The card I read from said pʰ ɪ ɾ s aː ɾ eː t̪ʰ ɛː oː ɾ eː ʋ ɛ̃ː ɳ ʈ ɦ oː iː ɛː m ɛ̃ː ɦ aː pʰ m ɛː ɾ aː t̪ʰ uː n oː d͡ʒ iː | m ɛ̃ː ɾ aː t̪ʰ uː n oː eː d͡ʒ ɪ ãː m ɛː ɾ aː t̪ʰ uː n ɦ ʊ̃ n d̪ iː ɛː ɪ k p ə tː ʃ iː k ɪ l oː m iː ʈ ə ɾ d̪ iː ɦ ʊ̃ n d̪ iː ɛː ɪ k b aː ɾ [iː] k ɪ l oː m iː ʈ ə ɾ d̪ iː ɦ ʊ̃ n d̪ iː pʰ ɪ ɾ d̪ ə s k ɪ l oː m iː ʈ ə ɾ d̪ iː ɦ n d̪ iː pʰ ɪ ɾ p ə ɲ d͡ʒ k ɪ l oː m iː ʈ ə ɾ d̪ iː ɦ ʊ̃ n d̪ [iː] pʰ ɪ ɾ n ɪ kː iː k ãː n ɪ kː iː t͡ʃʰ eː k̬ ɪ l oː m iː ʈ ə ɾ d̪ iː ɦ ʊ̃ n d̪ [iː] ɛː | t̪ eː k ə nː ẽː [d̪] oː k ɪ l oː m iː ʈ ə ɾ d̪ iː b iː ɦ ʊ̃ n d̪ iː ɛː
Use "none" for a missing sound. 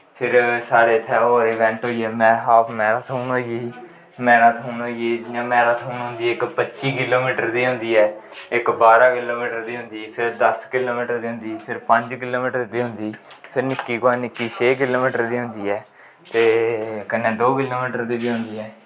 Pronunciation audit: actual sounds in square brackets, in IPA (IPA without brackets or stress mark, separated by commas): aː, iː, iː, d̪